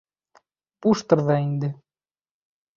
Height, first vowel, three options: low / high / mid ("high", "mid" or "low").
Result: high